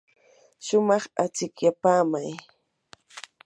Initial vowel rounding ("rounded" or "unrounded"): rounded